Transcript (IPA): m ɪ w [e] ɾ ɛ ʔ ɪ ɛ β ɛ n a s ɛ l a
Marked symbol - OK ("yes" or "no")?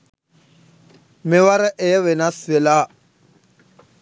no